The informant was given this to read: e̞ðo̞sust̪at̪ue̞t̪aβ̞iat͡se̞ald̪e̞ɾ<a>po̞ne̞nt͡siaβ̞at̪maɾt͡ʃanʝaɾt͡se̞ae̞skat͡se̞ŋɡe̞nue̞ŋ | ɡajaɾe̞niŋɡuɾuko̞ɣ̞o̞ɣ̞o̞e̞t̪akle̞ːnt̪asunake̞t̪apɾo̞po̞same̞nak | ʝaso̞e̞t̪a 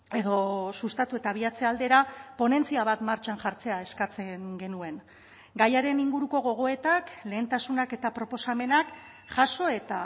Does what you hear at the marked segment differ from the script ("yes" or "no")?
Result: no